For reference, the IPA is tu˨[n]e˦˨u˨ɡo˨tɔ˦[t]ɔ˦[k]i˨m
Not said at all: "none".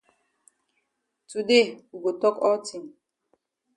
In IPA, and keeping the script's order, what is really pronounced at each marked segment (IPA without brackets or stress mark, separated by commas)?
d, k, t